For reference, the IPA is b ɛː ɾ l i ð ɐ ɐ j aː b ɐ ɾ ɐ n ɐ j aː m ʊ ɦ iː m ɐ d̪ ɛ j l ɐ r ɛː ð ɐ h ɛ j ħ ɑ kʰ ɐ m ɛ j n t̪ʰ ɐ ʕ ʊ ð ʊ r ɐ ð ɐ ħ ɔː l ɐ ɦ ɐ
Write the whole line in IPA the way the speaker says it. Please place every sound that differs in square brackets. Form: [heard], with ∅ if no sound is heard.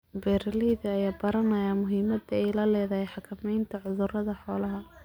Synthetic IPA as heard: b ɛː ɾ l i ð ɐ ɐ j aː b ɐ ɾ ɐ n ɐ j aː m ʊ ɦ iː m ɐ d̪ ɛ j l ɐ [l] ɛː ð ɐ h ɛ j ħ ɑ kʰ ɐ m ɛ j n t̪ʰ ɐ ʕ ʊ ð ʊ r ɐ ð ɐ ħ ɔː l ɐ ɦ ɐ